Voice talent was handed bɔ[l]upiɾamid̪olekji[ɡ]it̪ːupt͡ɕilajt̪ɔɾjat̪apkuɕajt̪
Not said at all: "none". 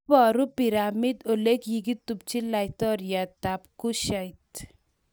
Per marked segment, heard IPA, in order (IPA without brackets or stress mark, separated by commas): ɾ, ɡ